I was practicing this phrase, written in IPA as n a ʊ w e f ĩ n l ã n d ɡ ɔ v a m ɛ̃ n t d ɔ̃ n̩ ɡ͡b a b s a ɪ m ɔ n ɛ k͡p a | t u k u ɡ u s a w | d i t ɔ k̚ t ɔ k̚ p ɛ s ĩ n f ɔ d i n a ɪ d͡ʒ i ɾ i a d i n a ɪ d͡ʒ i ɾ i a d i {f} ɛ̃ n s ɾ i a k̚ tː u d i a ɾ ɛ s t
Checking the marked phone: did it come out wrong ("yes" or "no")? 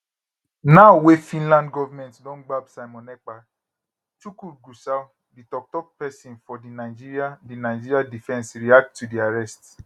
no